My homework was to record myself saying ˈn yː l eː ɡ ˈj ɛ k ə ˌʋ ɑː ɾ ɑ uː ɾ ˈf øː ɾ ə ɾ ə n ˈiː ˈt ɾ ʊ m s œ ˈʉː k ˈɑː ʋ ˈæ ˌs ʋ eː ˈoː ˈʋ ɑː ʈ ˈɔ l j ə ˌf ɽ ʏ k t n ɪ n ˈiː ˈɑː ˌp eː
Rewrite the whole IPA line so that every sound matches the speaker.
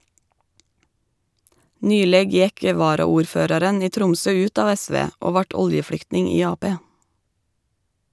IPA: ˈn yː l eː ɡ ˈj ɛ k ə ˌʋ ɑː ɾ ɑ uː ɾ ˈf øː ɾ ɑ ɾ ə n ˈiː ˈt ɾ ʊ m s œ ˈʉː t ˈɑː ʋ ˈæ ˌs ʋ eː ˈoː ˈʋ ɑː ʈ ˈɔ l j ə ˌf ɽ ʏ k t n ɪ ŋ ˈiː ˈɑː ˌp eː